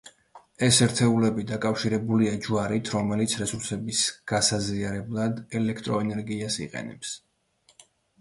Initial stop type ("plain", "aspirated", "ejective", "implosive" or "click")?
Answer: aspirated